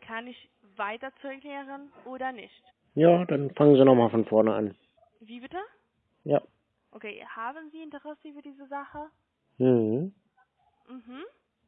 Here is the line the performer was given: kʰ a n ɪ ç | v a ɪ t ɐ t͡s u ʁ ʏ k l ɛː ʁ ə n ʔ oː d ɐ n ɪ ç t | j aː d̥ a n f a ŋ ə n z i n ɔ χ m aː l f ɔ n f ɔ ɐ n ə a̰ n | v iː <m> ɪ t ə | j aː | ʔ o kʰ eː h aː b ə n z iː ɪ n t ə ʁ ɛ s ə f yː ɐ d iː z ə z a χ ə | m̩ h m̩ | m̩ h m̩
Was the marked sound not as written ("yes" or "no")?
yes